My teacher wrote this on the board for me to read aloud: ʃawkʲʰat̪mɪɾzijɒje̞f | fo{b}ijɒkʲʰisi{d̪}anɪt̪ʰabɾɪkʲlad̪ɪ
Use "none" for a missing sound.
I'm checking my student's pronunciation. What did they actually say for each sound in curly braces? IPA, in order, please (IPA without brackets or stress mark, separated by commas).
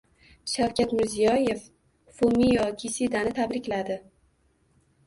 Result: m, d̪